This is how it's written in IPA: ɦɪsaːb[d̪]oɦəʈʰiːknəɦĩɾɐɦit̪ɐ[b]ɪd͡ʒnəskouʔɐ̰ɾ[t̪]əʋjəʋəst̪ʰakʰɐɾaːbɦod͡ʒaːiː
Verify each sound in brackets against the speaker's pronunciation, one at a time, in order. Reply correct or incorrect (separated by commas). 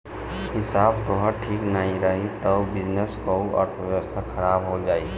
incorrect, correct, incorrect